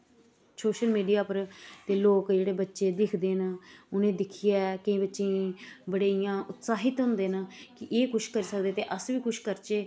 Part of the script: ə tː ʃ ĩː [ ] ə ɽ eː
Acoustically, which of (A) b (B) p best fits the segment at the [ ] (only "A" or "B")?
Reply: A